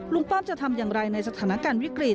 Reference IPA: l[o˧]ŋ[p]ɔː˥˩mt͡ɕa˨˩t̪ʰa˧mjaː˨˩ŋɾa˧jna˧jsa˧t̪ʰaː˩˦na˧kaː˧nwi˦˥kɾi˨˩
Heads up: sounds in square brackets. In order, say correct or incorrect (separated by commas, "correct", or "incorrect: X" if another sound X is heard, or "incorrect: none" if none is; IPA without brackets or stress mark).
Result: incorrect: u˧, correct